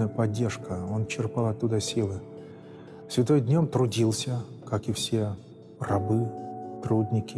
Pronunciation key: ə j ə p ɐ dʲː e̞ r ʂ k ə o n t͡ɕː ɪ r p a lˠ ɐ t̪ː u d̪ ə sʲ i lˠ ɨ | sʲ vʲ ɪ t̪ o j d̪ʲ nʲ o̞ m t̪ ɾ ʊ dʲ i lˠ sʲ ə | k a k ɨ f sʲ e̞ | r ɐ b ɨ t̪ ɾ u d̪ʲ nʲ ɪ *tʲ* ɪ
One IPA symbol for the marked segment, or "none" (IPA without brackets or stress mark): kʲ